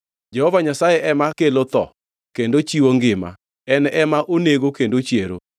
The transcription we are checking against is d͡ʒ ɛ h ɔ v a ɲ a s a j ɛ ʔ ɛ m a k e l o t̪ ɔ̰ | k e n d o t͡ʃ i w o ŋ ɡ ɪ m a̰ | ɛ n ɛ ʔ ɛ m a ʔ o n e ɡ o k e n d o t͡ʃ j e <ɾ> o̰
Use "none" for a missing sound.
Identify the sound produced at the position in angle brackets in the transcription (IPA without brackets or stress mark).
ɾ